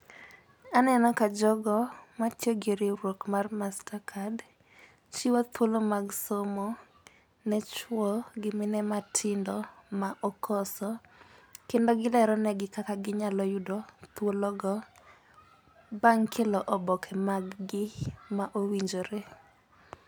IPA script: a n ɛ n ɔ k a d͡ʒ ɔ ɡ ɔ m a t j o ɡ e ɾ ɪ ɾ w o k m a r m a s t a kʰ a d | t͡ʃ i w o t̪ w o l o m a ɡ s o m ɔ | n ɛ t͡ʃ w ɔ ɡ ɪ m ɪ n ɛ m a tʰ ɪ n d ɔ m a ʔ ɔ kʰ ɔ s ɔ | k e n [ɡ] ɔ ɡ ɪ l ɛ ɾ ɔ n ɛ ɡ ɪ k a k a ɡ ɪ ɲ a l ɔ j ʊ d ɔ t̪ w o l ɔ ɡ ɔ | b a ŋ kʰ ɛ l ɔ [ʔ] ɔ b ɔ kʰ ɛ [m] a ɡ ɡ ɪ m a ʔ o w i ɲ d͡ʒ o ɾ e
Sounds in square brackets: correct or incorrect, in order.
incorrect: d, correct, correct

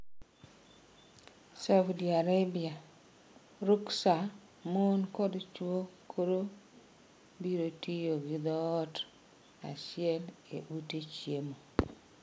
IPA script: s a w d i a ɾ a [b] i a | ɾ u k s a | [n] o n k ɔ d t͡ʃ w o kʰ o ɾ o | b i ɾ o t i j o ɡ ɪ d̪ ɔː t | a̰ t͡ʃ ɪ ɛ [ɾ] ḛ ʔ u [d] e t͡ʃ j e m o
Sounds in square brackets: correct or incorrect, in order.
correct, incorrect: m, incorrect: l, incorrect: t

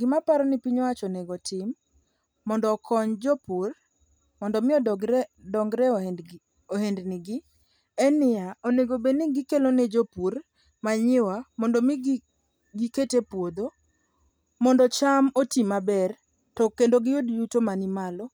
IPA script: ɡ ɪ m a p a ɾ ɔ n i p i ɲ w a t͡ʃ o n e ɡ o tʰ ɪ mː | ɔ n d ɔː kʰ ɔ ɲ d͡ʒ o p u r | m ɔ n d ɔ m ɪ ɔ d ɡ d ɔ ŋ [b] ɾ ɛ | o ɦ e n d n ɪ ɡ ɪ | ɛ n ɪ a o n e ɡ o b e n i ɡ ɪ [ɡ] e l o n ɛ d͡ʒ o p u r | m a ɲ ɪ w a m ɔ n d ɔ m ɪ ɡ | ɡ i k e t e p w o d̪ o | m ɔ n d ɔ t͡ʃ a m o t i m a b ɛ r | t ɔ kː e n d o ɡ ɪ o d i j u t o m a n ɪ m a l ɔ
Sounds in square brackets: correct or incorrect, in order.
incorrect: ɡ, incorrect: k

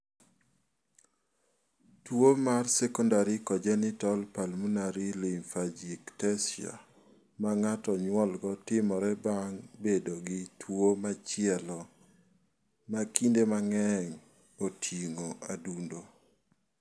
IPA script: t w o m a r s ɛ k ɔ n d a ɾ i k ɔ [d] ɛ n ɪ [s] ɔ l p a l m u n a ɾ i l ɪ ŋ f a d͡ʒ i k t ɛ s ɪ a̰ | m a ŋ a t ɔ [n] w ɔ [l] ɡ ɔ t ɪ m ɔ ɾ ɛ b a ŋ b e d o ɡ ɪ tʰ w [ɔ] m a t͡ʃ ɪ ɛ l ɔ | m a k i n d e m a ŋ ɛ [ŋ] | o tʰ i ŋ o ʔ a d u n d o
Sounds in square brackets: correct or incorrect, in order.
incorrect: d͡ʒ, incorrect: t, incorrect: ɲ, correct, incorrect: o, correct

